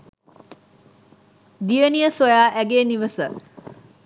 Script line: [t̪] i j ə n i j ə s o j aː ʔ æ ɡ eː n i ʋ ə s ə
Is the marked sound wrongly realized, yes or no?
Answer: yes